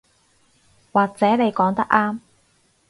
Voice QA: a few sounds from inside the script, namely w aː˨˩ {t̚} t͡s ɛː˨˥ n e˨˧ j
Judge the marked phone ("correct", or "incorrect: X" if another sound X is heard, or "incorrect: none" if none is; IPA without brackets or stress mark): incorrect: k̚